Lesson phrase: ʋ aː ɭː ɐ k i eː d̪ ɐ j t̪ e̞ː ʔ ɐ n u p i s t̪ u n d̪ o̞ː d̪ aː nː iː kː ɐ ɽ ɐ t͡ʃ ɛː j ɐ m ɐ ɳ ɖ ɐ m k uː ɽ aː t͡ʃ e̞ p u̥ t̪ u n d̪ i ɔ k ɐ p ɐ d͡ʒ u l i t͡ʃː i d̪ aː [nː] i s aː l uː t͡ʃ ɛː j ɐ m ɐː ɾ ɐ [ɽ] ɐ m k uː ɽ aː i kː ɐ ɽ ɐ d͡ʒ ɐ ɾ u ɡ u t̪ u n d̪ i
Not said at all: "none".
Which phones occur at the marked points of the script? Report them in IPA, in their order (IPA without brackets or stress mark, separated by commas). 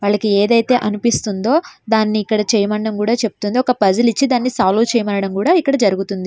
nː, ɽ